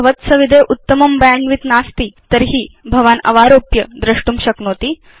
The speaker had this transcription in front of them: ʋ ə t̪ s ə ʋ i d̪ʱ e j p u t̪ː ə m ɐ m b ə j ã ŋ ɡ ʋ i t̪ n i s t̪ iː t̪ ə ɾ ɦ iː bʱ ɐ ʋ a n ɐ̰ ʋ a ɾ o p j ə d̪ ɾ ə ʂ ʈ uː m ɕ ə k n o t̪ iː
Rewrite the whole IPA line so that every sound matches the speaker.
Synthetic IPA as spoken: ʋ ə t̪ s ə ʋ i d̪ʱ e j ʔ u t̪ː ə m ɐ m b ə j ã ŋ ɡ ʋ i t̪ n a s t̪ iː t̪ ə ɾ ɦ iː bʱ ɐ ʋ a n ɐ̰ ʋ a ɾ o p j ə d̪ ɾ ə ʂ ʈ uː m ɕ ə k n o t̪ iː